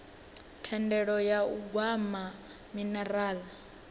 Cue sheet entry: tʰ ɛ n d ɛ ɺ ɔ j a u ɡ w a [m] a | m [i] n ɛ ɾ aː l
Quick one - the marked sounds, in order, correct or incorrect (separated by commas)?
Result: correct, correct